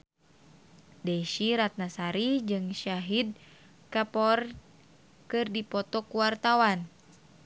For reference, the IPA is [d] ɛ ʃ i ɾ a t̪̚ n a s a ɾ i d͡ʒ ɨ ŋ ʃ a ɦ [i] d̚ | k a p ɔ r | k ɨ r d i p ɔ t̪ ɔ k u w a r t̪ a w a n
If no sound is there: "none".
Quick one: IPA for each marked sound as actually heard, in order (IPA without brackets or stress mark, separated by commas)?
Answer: d, i